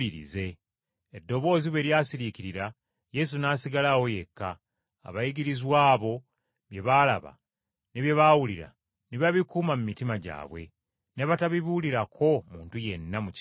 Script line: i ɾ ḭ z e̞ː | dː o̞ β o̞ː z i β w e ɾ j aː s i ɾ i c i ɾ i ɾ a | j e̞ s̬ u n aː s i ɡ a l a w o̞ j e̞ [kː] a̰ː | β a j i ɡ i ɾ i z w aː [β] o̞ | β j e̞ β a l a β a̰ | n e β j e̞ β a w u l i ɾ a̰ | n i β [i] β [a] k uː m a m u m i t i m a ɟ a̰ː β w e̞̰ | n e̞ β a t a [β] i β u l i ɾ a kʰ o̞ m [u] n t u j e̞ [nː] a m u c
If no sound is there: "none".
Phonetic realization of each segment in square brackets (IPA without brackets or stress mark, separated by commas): kː, β, a, i, β, uː, nː